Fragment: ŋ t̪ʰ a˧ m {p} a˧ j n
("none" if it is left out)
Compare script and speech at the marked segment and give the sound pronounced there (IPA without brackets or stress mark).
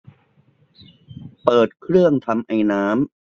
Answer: ʔ